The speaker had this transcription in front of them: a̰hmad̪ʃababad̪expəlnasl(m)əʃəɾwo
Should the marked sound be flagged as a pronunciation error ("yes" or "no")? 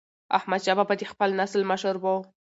no